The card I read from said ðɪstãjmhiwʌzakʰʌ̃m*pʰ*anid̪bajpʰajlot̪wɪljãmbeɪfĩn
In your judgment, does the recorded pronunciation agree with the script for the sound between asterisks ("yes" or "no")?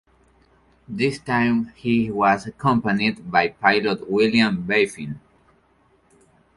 no